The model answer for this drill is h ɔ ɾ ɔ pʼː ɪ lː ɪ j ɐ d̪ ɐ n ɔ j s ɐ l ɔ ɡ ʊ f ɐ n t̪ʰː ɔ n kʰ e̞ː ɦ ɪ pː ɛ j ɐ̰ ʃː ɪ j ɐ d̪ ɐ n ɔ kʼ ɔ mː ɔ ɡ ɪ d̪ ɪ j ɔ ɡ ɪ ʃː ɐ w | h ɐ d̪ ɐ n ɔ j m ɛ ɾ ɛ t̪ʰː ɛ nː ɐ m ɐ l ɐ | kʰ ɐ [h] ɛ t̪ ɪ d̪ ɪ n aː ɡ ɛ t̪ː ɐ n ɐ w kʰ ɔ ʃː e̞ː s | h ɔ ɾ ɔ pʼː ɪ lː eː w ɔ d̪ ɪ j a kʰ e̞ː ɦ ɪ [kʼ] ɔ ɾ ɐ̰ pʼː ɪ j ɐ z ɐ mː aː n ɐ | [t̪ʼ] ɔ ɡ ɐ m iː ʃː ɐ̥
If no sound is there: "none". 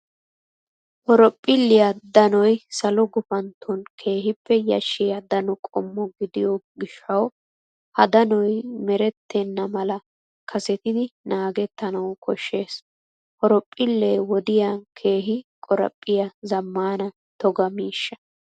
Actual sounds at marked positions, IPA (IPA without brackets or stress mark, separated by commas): s, kʼ, t̪